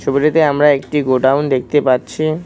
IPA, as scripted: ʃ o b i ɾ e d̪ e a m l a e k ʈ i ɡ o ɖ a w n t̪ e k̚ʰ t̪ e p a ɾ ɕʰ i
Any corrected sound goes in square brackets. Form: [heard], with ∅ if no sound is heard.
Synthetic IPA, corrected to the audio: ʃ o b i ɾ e [t̪] e a m [ɾ] a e k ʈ i ɡ o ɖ a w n [d̪] e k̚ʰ t̪ e p a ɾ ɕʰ i

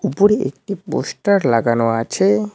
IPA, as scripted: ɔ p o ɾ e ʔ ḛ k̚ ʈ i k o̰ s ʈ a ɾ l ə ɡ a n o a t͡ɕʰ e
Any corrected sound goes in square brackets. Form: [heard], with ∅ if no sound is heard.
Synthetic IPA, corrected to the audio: [u] p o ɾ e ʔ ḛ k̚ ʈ i [p] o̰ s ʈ a ɾ l [a] ɡ a n o a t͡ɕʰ e

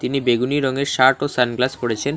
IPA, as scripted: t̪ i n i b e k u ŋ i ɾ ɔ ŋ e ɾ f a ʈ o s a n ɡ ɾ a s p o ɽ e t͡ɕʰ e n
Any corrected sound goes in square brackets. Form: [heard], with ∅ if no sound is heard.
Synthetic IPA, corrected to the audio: t̪ i n i b e [ɡ] u [n] i ɾ ɔ ŋ e ɾ [ʃ] a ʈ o s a n ɡ [l] a s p o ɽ e t͡ɕʰ e n

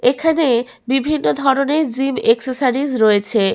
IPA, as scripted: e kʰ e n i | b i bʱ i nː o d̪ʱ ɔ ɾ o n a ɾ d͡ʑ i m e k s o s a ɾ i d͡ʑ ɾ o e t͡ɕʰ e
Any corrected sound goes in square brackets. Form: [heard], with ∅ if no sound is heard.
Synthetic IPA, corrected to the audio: e kʰ [a] n [e] | b i bʱ i nː o d̪ʱ ɔ ɾ o n [e] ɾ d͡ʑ i m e k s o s a ɾ i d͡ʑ ɾ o e t͡ɕʰ e

